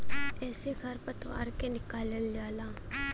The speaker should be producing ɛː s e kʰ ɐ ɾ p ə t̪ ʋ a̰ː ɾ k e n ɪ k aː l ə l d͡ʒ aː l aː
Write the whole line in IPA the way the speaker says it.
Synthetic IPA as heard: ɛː s e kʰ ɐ ɾ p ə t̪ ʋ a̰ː ɾ k e n ɪ k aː l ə l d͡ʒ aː l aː